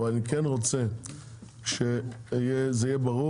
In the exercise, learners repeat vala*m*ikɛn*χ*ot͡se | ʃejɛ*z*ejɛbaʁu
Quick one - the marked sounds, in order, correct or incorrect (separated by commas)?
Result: incorrect, incorrect, correct